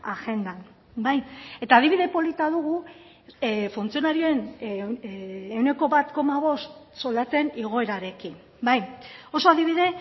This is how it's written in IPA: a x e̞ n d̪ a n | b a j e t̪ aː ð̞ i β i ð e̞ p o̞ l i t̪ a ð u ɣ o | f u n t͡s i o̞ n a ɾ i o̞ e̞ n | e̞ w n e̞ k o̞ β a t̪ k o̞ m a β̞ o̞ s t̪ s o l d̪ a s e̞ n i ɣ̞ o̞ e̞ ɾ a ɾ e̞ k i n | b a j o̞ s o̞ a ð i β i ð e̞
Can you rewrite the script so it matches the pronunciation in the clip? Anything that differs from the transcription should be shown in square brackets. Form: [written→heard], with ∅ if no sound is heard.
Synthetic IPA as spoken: a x e̞ n d̪ a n | b a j e t̪ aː ð̞ i β i ð e̞ p o̞ l i t̪ a ð u ɣ [o→u] | f u n t͡s i o̞ n a ɾ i o̞ e̞ n | e̞ w n e̞ k o̞ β a t̪ k o̞ m a β̞ o̞ s t̪ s o l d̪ a [s→t͡s] e̞ n i ɣ̞ o̞ e̞ ɾ a ɾ e̞ k i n | b a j o̞ s o̞ a ð i β i ð e̞